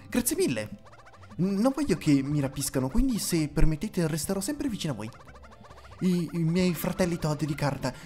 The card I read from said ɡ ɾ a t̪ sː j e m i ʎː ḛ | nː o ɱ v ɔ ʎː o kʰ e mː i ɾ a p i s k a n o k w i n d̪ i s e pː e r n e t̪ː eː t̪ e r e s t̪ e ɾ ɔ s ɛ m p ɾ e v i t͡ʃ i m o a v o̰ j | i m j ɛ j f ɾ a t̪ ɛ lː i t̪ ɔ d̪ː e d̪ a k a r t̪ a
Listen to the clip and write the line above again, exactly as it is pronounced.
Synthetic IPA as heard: ɡ ɾ a t̪ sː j e m i lː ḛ | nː o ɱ v ɔ ʎː o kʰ e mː i ɾ a p i s k a n o k w i n d̪ i s e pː e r m e t̪ː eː t̪ e r e s t̪ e ɾ ɔ s ɛ m p ɾ e v i t͡ʃ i n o a v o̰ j | i m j ɛ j f ɾ a t̪ ɛ lː i t̪ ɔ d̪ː e d̪ i k a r t̪ a